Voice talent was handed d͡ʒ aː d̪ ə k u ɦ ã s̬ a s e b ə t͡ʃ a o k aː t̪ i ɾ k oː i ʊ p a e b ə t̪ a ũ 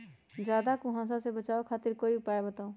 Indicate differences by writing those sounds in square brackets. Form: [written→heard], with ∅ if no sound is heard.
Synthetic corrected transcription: d͡ʒ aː d̪ [ə→a] k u ɦ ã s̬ a s e b ə t͡ʃ a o [k→kʰ] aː t̪ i ɾ k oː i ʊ p a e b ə t̪ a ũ